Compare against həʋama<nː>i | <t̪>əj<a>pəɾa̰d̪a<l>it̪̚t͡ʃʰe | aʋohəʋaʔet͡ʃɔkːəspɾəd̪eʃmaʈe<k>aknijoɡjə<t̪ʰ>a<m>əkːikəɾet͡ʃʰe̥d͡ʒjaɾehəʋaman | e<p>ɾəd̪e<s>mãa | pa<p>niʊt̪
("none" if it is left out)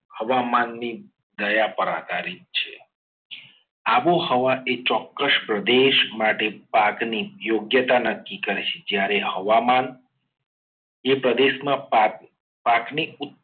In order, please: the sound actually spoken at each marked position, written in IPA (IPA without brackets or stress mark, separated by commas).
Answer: nː, d̪, a, ɾ, p, t̪, n, p, ʃ, k